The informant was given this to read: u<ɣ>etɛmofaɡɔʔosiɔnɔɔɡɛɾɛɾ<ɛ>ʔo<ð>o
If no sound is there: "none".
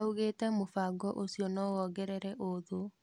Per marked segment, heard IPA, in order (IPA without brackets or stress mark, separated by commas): ɣ, ɛ, ð